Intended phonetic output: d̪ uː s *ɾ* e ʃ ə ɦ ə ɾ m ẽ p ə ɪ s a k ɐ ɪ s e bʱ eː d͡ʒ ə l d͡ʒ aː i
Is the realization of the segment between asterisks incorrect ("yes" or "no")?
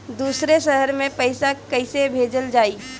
no